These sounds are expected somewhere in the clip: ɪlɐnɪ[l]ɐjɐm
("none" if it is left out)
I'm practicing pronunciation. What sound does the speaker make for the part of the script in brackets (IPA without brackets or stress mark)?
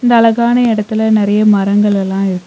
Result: ɾ